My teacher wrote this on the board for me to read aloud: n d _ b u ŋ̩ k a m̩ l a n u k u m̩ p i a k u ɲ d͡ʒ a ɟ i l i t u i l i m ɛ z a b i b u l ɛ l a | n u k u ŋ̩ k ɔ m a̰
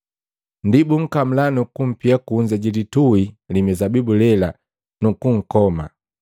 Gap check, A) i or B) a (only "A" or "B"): A